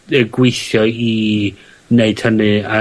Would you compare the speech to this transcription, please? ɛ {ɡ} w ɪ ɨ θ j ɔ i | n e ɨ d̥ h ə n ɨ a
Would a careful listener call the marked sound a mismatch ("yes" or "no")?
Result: no